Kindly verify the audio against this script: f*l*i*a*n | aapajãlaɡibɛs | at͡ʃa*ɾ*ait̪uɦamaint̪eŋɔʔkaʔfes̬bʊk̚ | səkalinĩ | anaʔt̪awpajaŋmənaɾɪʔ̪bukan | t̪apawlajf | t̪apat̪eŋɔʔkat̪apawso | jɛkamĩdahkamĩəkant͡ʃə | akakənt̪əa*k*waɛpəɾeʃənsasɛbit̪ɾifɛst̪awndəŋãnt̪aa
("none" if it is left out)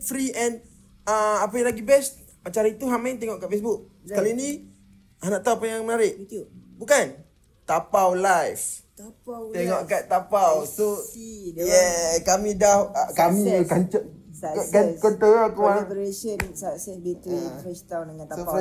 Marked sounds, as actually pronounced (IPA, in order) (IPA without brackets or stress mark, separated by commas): ɾ, ɛ, ɾ, k